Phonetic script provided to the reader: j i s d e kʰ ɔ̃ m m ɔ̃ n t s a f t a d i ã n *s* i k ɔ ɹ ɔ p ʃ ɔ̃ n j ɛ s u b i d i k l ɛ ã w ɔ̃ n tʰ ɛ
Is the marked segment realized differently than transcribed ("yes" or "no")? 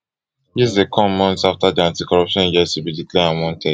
yes